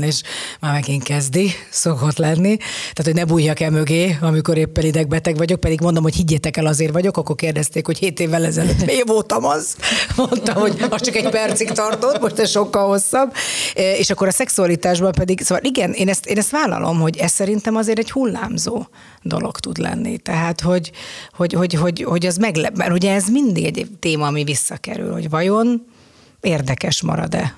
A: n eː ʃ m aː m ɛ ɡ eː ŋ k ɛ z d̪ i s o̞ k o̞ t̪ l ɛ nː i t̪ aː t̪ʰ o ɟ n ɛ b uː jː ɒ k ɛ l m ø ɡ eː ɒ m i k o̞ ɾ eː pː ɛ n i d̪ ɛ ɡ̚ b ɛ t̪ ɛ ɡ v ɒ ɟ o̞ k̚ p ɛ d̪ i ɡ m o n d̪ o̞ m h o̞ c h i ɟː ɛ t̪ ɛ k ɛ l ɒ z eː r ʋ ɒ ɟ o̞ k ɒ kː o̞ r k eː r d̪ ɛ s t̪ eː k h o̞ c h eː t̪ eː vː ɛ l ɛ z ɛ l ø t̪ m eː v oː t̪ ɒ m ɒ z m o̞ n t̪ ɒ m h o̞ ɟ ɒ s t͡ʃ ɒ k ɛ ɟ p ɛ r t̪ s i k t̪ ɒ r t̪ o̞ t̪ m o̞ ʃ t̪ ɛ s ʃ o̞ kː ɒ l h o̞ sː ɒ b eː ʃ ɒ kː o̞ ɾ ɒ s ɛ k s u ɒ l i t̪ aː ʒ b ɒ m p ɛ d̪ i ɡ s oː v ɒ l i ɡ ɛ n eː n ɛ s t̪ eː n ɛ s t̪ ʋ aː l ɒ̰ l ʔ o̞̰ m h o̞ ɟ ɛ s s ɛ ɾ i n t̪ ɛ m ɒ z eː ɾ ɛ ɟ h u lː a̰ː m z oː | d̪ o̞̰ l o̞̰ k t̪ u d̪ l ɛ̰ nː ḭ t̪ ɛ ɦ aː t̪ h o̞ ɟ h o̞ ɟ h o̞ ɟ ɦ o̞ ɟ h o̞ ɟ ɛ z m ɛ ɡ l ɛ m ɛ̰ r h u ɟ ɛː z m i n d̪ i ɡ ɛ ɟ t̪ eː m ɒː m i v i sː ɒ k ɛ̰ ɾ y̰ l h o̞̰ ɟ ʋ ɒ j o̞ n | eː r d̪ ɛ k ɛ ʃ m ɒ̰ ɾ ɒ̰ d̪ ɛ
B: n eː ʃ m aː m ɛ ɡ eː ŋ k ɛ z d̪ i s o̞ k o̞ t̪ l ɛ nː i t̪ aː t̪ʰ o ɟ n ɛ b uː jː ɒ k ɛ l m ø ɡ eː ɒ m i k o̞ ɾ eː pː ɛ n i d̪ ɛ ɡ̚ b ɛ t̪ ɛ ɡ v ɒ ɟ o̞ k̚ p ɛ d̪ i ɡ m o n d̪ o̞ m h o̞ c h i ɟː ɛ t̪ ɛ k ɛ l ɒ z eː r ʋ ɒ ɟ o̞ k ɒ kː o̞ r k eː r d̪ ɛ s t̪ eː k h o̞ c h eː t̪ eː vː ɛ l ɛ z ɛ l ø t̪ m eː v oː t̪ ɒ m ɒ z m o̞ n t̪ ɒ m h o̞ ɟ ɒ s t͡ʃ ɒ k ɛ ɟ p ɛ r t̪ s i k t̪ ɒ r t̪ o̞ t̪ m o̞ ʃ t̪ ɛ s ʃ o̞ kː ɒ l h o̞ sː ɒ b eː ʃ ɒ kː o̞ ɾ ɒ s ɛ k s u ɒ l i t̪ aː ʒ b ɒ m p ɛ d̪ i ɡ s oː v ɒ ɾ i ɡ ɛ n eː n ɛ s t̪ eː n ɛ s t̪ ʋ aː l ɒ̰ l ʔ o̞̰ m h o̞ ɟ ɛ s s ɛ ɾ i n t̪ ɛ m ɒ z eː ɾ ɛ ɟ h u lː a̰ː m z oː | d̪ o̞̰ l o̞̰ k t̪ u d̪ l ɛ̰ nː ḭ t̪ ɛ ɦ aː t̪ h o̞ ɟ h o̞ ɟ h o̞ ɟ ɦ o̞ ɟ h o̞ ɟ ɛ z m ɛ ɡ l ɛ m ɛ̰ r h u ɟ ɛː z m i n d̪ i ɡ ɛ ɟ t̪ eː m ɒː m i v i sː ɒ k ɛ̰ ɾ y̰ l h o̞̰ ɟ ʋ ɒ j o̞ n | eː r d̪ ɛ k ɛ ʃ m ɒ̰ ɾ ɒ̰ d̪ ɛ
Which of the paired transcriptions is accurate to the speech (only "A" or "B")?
A